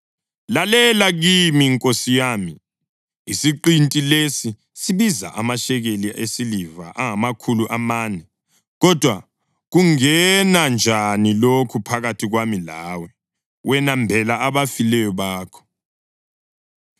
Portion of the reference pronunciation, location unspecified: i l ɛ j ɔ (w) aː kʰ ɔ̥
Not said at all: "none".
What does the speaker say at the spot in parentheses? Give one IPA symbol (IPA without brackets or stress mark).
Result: β